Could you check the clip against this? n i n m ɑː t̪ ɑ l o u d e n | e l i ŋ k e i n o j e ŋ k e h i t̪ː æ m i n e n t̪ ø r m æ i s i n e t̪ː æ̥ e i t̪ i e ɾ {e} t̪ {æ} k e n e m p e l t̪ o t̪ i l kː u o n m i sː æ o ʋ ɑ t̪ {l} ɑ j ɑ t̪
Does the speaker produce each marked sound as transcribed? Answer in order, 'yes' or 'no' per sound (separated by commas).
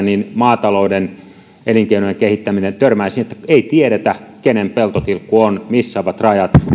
yes, yes, no